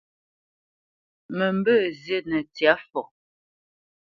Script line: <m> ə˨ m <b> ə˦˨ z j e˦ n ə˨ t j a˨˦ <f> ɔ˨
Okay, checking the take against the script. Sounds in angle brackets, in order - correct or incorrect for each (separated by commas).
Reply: correct, correct, correct